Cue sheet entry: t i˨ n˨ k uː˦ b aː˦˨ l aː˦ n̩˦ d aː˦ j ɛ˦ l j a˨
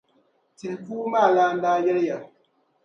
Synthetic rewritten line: t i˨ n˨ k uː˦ m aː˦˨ l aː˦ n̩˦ d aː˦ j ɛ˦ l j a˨